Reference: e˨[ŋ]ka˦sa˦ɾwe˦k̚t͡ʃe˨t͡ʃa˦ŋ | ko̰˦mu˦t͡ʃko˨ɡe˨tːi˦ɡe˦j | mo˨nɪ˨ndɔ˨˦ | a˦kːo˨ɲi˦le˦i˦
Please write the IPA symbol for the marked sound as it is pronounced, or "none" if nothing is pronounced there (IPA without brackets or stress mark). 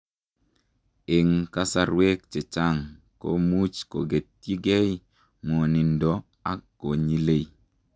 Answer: ŋ